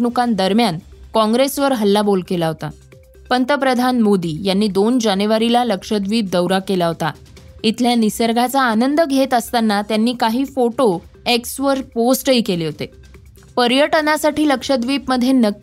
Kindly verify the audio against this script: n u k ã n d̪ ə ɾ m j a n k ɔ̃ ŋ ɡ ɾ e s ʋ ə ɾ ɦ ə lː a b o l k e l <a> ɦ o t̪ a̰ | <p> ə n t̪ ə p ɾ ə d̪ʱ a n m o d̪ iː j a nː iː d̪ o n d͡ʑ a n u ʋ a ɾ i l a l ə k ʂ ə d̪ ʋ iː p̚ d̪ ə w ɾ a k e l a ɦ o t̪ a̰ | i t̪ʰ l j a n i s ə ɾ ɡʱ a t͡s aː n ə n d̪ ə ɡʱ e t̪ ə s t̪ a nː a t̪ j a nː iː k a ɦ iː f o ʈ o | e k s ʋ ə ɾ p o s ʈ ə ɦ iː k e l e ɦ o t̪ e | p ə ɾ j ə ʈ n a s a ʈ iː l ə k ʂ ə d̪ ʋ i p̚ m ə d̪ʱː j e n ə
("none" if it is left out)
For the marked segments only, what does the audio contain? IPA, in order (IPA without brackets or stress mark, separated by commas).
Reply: a, p